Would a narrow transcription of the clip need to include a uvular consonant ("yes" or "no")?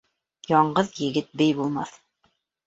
yes